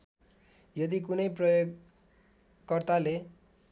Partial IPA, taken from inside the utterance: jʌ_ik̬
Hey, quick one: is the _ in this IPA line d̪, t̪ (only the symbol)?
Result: d̪